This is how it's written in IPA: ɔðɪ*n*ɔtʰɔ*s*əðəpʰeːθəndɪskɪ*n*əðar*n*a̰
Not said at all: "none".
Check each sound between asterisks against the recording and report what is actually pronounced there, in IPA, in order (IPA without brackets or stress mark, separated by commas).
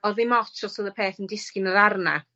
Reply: m, s, n, n